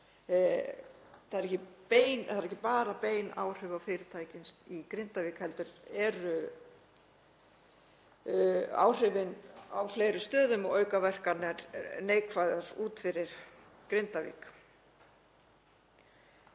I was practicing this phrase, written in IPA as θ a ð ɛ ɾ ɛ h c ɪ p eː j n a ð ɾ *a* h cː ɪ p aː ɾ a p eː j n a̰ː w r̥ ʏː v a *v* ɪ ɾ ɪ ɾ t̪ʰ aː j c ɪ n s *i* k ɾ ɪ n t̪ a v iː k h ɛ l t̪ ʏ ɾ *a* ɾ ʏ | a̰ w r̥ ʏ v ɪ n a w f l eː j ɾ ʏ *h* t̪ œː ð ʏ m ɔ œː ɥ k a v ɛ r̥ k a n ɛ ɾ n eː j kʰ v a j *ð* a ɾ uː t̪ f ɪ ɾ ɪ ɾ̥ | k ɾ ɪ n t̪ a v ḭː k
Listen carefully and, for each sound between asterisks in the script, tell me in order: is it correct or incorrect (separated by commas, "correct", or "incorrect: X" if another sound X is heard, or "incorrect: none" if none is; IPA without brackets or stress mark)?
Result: incorrect: ɛ, incorrect: f, correct, incorrect: ɛ, incorrect: s, correct